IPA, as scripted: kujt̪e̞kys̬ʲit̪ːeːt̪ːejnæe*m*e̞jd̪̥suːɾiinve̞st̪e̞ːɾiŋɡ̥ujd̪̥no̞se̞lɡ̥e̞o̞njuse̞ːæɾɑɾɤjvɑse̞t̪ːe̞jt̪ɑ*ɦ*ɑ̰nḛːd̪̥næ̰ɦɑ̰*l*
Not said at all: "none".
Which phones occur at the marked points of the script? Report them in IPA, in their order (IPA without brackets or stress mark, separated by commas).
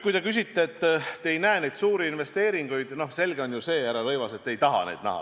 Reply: n, ɦ, none